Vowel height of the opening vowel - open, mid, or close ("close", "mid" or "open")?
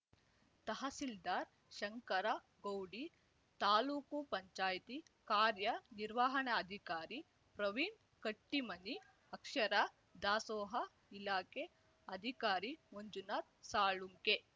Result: open